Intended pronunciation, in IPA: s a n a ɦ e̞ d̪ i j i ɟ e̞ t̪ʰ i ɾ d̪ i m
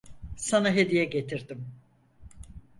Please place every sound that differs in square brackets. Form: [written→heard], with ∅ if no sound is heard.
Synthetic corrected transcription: s a n a ɦ e̞ d̪ i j [i→ɛ] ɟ e̞ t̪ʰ i ɾ d̪ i m